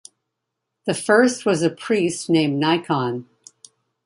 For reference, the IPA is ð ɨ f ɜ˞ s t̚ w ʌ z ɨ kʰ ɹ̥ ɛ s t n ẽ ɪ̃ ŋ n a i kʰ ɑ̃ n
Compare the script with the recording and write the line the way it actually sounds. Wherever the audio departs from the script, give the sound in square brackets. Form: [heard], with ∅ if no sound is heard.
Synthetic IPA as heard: ð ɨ f ɜ˞ s t̚ w ʌ z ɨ [pʰ] ɹ̥ [i] s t n ẽ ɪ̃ [m] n a [ɪ] kʰ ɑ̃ n

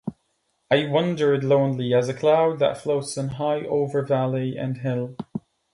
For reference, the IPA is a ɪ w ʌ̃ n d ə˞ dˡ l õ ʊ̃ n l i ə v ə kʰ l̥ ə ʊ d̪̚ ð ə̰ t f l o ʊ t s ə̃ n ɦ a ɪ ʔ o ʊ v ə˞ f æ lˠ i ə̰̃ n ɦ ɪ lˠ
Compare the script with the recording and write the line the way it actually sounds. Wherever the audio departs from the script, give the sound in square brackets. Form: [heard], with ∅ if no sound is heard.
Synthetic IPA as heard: a ɪ w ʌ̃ n d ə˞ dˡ l õ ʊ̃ n l i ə [z] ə kʰ l̥ [a] ʊ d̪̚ ð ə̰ t f l o ʊ t s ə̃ n ɦ a ɪ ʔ o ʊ v ə˞ [v] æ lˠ i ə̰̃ n ɦ ɪ lˠ

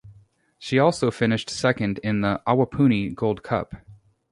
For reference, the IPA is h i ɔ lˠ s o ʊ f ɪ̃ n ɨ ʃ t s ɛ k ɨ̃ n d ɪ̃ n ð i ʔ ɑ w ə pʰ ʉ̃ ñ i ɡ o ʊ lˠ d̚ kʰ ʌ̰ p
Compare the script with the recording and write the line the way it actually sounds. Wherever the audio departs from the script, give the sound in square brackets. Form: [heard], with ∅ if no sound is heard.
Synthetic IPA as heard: [ʃ] i ɔ lˠ s o ʊ f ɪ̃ n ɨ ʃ t s ɛ k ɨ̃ n d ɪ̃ n ð i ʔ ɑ w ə pʰ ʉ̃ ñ i ɡ o ʊ lˠ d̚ kʰ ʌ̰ p

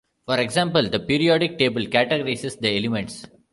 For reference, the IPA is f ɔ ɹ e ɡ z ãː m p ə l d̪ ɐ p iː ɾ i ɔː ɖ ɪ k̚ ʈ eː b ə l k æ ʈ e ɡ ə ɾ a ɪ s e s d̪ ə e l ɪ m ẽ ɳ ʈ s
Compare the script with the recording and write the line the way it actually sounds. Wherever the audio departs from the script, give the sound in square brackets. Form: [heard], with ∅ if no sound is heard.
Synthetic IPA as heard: f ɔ [ɾ] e ɡ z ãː m p ə l d̪ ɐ p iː ɾ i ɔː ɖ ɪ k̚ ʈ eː b ə l k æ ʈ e ɡ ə ɾ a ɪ s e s d̪ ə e l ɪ m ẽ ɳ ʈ s

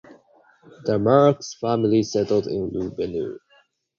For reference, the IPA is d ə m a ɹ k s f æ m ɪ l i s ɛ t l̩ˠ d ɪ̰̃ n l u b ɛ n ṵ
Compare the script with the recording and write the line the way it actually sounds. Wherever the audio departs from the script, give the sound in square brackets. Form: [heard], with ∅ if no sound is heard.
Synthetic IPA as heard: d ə m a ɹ k s f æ m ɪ l i s ɛ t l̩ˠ d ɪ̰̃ n l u b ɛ n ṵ

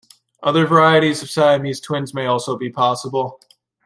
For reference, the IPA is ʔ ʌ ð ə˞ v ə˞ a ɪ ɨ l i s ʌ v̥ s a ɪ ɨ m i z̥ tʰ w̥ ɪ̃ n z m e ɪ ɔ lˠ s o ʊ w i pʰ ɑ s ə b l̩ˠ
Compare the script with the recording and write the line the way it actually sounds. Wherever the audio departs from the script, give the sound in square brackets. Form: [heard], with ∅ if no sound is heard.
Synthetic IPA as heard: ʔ ʌ ð ə˞ v ə˞ a ɪ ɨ [ɾ] i [z] ʌ v̥ s a ɪ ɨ m i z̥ tʰ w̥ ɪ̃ n z m e ɪ ɔ lˠ s o ʊ [b] i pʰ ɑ s ə b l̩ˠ

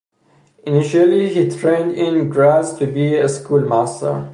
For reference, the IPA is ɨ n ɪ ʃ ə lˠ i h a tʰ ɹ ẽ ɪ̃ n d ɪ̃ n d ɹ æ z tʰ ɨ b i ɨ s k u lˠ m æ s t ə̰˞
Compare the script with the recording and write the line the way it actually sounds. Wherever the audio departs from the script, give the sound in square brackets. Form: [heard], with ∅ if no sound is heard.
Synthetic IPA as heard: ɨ n ɪ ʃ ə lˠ i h [i] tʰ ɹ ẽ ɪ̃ n d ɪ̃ n [ɡ] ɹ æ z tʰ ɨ b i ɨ s k u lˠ m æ s t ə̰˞

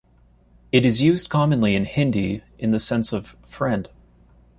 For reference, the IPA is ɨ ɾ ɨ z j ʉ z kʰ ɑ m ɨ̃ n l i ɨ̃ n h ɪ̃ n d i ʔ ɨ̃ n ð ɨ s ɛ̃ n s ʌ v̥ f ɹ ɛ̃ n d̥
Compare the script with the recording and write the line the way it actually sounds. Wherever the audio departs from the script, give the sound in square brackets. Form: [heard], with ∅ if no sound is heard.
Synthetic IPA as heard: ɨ ɾ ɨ z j ʉ z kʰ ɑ m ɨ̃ n l i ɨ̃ n h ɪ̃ n d i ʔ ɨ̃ n ð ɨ s ɛ̃ n s ʌ v̥ f ɹ ɛ̃ n d̥

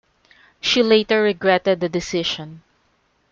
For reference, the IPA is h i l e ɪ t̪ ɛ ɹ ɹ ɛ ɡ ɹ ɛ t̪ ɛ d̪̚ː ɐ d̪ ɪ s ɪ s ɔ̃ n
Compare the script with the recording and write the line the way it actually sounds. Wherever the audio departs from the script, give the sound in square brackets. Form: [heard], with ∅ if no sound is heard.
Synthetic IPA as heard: [ʃ] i l e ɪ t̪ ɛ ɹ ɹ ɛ ɡ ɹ ɛ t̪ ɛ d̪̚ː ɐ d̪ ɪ s ɪ [ʃ] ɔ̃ n

